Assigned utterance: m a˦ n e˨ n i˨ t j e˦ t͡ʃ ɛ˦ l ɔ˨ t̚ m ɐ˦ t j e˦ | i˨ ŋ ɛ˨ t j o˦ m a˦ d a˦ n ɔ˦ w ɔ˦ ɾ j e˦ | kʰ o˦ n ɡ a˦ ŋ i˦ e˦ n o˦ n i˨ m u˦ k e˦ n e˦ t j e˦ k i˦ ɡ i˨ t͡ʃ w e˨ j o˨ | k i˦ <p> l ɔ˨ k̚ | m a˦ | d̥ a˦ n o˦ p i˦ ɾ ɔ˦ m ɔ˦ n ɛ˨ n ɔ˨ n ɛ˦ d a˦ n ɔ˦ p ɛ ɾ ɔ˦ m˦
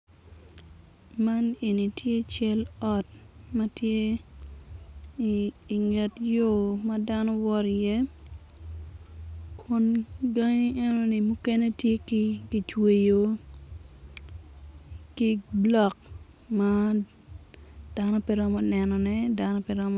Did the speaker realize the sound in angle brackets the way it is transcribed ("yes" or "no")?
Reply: no